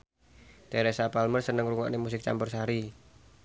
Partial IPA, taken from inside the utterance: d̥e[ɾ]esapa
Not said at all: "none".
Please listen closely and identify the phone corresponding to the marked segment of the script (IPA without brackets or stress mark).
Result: ɾ